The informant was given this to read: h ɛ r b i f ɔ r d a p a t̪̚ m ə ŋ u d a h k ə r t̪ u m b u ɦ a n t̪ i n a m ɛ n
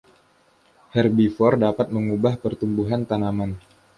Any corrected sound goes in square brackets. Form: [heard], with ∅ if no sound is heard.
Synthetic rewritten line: h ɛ r b i f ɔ r d a p a t̪̚ m ə ŋ u [b] a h [p] ə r t̪ u m b u ɦ a n t̪ [a] n a m [a] n